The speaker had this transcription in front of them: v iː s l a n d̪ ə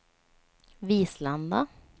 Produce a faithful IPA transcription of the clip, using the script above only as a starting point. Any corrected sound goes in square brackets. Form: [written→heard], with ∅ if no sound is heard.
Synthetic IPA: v iː s l a n d̪ [ə→a]